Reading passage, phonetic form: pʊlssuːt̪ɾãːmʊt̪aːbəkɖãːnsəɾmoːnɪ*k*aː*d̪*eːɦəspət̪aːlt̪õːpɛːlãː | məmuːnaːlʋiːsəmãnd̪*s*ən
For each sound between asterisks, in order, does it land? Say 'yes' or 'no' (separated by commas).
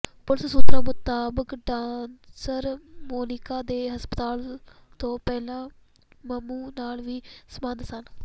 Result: yes, yes, yes